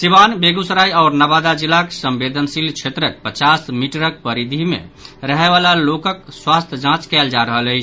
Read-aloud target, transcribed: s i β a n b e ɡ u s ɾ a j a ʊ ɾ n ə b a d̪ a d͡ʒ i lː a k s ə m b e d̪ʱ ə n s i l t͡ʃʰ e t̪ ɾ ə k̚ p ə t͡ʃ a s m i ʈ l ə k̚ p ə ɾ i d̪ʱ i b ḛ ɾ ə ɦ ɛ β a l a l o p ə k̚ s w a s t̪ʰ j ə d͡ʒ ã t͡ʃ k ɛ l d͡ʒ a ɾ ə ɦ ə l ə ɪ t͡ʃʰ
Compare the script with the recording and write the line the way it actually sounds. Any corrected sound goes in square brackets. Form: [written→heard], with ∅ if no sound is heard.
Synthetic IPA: s i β a n b e ɡ u s ɾ a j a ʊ ɾ n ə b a d̪ a d͡ʒ i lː a k s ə m b e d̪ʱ ə n s i l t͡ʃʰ e t̪ ɾ ə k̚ p ə t͡ʃ a s m i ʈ [l→ɾ] ə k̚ p ə ɾ i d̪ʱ i [b→m] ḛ ɾ ə ɦ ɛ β a l a l o [p→k] ə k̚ s w a s t̪ʰ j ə d͡ʒ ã t͡ʃ k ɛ l d͡ʒ a ɾ ə ɦ ə l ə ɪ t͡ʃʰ